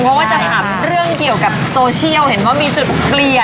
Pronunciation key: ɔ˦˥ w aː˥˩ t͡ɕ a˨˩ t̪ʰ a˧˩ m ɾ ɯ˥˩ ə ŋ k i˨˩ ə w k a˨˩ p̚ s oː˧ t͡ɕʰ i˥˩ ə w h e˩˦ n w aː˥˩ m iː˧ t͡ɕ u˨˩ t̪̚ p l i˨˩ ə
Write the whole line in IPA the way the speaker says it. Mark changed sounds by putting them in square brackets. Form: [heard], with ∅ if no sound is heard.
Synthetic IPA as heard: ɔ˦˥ w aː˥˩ t͡ɕ a˨˩ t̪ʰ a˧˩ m ɾ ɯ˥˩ ə ŋ k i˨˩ ə w k a˨˩ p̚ s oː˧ t͡ɕʰ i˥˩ ə w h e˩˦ n w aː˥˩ m iː˧ t͡ɕ u˨˩ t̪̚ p l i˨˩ ə